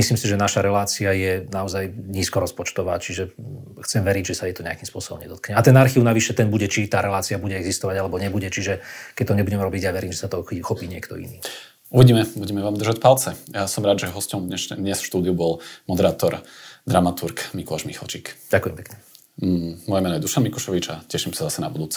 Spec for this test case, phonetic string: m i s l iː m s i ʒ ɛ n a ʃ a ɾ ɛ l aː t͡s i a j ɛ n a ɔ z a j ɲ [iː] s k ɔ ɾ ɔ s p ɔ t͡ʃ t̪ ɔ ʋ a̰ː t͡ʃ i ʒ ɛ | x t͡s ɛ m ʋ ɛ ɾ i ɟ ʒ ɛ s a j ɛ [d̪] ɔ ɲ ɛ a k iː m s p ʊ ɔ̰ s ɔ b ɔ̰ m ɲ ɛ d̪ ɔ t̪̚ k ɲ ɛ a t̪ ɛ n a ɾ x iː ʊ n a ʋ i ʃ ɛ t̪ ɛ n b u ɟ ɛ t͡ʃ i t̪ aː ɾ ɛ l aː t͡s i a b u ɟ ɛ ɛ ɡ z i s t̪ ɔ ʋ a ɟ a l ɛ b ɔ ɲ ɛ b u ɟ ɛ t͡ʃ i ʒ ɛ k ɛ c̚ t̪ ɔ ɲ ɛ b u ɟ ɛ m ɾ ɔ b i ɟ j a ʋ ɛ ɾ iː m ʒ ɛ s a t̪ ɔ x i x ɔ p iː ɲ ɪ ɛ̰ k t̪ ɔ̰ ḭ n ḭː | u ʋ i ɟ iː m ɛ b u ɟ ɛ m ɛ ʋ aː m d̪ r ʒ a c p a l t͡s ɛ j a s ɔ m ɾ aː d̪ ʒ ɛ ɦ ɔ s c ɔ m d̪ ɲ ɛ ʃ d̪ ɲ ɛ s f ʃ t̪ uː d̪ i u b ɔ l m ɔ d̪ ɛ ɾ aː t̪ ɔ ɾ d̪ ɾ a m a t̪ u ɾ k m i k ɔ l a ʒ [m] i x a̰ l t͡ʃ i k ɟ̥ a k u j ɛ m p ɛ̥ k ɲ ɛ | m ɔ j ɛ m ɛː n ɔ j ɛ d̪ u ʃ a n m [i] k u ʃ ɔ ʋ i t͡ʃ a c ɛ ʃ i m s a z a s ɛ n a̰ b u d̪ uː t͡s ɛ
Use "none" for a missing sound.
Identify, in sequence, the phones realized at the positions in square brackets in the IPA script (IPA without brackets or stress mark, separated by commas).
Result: iː, t̪, m, i